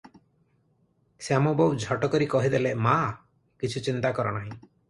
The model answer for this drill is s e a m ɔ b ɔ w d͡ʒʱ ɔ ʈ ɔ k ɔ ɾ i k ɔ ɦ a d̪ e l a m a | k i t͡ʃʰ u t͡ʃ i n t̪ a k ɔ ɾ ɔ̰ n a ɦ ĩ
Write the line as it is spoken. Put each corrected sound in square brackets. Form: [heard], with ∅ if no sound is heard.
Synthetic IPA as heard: s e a m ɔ b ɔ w d͡ʒʱ ɔ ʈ ɔ k ɔ ɾ i k ɔ ɦ [i] d̪ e l [e] m a | k i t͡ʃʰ u t͡ʃ i n t̪ a k ɔ ɾ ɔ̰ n a ɦ ĩ